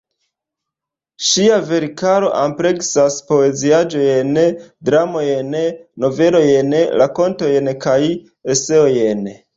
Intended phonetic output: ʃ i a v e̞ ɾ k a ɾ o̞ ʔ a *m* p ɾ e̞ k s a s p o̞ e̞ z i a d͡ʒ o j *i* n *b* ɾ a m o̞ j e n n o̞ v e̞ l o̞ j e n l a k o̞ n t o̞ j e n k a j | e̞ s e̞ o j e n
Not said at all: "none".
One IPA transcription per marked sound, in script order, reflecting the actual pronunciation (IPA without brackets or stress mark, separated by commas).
m, e, d